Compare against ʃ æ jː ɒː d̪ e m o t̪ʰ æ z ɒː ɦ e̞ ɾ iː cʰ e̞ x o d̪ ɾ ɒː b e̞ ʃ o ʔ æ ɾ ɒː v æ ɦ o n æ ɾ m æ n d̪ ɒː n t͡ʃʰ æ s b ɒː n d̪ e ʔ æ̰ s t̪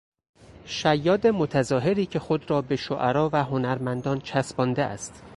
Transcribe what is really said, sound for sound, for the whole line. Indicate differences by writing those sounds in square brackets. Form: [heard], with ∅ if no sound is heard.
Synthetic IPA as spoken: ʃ æ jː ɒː d̪ e m o t̪ʰ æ z ɒː ɦ e̞ ɾ iː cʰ e̞ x o d̪ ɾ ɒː b e̞ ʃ o ʔ æ ɾ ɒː v æ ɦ o n æ ɾ m æ n d̪ ɒː n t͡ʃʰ æ s b ɒː n d̪ e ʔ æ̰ s t̪